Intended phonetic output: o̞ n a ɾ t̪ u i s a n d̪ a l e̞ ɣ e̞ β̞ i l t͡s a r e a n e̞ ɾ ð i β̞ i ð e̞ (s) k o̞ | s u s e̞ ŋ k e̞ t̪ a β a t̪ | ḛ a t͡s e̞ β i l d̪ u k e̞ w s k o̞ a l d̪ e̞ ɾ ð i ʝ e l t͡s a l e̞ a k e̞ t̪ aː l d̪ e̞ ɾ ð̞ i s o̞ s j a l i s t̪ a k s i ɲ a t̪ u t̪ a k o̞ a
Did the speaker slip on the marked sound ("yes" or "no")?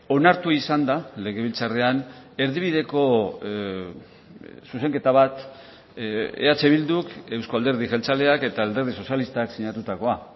yes